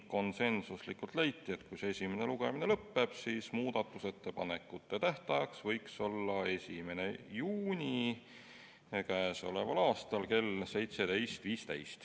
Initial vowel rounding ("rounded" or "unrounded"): rounded